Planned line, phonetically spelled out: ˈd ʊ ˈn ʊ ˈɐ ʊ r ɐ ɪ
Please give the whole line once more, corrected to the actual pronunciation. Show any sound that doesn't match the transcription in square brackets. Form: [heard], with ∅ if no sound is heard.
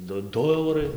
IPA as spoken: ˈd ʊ [ˈd] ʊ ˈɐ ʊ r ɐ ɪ